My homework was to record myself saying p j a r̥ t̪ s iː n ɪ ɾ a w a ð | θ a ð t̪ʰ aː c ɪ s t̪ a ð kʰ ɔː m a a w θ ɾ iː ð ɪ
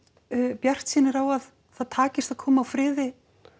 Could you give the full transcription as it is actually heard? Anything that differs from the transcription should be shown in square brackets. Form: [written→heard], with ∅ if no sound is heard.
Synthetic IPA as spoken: p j a r̥ t̪ s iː n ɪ ɾ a w a ð | θ a ð t̪ʰ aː c ɪ s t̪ a ð kʰ ɔː m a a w [θ→f] ɾ [iː→ɪː] ð ɪ